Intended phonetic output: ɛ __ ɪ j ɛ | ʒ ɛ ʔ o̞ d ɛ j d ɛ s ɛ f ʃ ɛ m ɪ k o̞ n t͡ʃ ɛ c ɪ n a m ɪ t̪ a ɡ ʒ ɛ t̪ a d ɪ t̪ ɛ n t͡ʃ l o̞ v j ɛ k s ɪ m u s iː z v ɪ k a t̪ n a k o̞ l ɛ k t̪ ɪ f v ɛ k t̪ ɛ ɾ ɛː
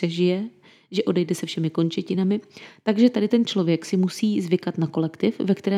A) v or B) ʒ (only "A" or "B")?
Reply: B